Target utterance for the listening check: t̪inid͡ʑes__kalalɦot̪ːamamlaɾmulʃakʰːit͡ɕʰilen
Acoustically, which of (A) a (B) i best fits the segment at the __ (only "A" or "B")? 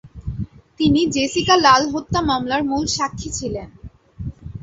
B